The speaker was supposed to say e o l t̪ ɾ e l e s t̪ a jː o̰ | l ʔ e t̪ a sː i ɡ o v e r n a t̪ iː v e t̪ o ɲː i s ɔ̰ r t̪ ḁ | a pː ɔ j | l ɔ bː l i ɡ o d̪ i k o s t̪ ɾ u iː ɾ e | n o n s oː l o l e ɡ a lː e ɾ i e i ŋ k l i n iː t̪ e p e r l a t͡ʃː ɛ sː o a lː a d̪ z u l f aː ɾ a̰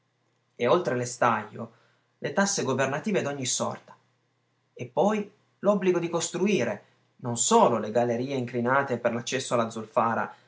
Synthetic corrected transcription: e o l t̪ ɾ e l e s t̪ a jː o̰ | l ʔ e t̪ a sː e ɡ o v e r n a t̪ iː v e d̪ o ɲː i s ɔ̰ r t̪ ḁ | e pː ɔ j | l ɔ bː l i ɡ o d̪ i k o s t̪ ɾ u iː ɾ e | n o n s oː l o l e ɡ a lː e ɾ iː e i ŋ k l i n aː t̪ e p e r l a t͡ʃː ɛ sː o a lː a d̪ z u l f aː ɾ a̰